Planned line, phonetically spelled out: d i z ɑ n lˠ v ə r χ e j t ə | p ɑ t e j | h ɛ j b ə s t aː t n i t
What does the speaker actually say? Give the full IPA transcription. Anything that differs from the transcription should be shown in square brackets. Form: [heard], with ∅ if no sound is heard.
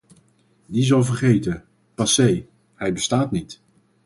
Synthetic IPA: d i z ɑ [∅] lˠ v ə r χ e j t ə | p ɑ [s] e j | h ɛ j b ə s t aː t n i t